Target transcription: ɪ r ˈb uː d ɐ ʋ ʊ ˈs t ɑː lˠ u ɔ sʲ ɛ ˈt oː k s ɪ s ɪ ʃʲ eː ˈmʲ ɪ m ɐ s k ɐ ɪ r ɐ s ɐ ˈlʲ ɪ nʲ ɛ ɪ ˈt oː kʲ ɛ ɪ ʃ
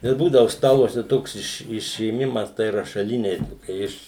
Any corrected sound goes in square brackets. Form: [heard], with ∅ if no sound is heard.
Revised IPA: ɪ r ˈb uː d ɐ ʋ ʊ ˈs t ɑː lˠ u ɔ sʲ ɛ ˈt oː k s ɪ [ʃ] ɪ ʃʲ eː ˈmʲ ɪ m ɐ s [t] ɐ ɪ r ɐ [ʃ] ɐ ˈlʲ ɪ nʲ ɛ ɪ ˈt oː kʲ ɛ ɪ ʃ